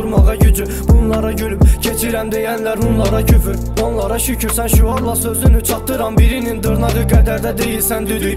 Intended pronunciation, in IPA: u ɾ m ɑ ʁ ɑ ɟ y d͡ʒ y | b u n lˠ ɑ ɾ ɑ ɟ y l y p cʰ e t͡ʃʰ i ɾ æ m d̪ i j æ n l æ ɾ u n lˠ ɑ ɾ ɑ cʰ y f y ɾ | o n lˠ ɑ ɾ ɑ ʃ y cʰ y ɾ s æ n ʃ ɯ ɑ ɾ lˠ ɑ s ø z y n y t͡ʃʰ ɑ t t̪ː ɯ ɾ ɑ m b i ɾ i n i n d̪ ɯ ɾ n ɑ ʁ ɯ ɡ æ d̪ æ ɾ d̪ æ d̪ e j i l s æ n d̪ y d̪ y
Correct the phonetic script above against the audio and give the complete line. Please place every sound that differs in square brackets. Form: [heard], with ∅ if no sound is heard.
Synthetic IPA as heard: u ɾ m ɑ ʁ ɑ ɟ y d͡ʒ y | b u n lˠ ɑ ɾ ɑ ɟ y l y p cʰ e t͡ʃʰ i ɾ æ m d̪ [e] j æ n l æ ɾ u n lˠ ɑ ɾ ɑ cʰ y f y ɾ | o n lˠ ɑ ɾ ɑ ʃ y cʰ y ɾ s æ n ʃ [u] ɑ ɾ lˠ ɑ s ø z y n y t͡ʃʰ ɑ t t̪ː ɯ ɾ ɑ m b i ɾ i n i n d̪ ɯ ɾ n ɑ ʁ ɯ ɡ æ d̪ æ ɾ d̪ æ d̪ e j i l s æ n d̪ y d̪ y

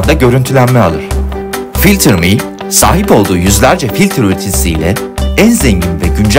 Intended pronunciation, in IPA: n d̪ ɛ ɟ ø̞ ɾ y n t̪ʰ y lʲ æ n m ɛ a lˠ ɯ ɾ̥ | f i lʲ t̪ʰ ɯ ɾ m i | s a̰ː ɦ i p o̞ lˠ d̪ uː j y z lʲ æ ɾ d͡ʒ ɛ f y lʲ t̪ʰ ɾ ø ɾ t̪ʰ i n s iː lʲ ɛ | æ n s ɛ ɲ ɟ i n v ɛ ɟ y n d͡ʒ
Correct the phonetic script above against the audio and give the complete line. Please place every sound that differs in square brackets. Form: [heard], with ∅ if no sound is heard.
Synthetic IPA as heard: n d̪ [a] ɟ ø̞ ɾ y n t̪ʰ y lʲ æ n m ɛ a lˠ ɯ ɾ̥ | f i lʲ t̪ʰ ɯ ɾ m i | s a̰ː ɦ i p o̞ lˠ d̪ uː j y z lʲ æ ɾ d͡ʒ ɛ f [i] lʲ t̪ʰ ɾ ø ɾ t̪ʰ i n s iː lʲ ɛ | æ n [z] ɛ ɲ ɟ i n v ɛ ɟ y n d͡ʒ

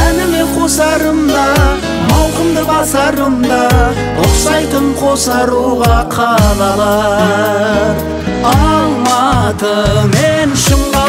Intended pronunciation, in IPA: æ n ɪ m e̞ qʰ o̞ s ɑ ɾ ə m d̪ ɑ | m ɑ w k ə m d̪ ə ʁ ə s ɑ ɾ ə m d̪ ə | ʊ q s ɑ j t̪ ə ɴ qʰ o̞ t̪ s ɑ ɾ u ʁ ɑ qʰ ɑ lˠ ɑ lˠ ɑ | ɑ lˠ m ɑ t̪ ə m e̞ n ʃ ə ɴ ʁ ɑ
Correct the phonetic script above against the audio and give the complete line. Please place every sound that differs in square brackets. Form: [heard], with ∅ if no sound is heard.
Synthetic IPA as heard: æ n ɪ m e̞ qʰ o̞ s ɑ ɾ ə m d̪ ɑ | m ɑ w [q] ə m d̪ ə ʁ [ɑ] s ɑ ɾ ə m d̪ [ɑ] | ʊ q s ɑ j t̪ ə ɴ qʰ o̞ [∅] s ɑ ɾ u ʁ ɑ qʰ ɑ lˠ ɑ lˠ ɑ | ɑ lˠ m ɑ t̪ ə m e̞ n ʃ ə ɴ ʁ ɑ

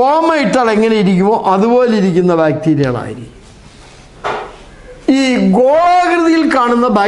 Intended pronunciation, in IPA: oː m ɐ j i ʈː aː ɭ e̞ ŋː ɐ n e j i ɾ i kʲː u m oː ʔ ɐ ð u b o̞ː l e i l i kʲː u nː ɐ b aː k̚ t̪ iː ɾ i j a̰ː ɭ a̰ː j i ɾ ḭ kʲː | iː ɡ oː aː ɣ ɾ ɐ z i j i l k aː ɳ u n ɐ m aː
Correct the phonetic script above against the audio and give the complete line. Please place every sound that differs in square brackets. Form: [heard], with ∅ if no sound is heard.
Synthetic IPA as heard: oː m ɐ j i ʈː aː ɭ e̞ ŋː ɐ n e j i ɾ i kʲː u m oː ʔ ɐ ð u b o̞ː l e i [ɾ] i kʲː u nː ɐ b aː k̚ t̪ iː ɾ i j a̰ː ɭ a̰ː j i ɾ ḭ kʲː | iː ɡ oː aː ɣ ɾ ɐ [ð] i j i l k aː ɳ u [nː] ɐ [b] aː

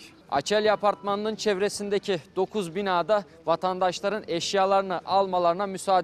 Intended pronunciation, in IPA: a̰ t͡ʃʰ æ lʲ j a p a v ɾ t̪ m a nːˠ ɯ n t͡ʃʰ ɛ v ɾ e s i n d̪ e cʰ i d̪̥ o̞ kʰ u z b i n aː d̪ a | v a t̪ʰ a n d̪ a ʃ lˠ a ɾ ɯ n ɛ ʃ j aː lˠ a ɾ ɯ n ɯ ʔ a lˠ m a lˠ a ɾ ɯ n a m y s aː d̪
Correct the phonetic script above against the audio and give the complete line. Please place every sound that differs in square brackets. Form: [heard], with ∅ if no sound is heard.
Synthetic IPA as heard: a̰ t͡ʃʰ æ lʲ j a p a [∅] ɾ t̪ m a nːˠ ɯ n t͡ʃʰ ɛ v ɾ e s i n d̪ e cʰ i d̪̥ o̞ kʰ u z b i n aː d̪ a | v a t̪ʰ a n d̪ a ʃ lˠ a ɾ ɯ n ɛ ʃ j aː lˠ a ɾ ɯ n ɯ ʔ a lˠ m a lˠ a ɾ ɯ n a m y s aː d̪

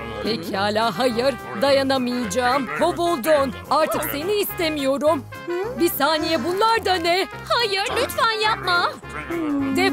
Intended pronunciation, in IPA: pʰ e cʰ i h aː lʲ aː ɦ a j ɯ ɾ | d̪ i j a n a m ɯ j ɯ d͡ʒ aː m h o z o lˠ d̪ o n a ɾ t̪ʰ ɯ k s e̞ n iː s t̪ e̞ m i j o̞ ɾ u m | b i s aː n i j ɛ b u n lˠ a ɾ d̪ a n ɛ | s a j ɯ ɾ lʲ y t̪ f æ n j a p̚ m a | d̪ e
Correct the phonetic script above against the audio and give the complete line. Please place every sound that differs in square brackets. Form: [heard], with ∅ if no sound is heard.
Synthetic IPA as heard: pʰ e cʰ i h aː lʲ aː ɦ a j ɯ ɾ | d̪ [a] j a n a m ɯ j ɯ d͡ʒ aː m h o [v] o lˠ d̪ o n a ɾ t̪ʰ ɯ k s e̞ n iː s t̪ e̞ m i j o̞ ɾ u m | b i s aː n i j ɛ b u n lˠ a ɾ d̪ a n ɛ | [h] a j ɯ ɾ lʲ y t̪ f æ n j a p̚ m a | d̪ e

